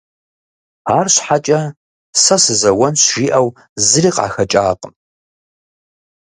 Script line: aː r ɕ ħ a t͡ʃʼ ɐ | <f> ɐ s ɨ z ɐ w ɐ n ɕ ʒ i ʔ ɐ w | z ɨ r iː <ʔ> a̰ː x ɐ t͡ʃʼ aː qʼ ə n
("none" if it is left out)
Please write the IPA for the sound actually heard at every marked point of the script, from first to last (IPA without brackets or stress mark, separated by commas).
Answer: s, q